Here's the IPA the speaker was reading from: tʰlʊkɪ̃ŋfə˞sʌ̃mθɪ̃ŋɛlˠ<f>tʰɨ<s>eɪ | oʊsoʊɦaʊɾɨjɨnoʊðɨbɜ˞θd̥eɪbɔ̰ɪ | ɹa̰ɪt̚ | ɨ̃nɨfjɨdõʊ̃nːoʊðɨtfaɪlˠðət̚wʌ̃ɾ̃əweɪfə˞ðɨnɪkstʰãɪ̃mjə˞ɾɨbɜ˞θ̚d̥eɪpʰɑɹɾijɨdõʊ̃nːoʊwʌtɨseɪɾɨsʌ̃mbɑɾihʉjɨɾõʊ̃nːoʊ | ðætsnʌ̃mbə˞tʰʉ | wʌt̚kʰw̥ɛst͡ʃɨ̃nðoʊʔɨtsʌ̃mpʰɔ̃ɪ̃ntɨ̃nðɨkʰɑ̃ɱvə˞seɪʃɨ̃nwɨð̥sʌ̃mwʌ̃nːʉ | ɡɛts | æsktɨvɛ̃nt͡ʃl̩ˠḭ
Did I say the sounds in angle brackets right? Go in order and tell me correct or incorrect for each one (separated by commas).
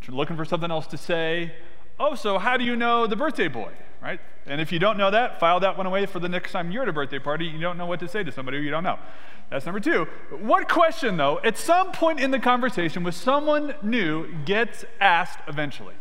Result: incorrect, correct